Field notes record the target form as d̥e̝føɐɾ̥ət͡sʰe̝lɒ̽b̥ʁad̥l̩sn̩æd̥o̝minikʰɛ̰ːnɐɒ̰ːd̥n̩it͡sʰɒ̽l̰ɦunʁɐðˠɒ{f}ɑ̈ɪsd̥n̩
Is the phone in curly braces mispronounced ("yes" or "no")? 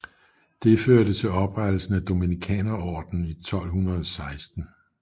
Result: yes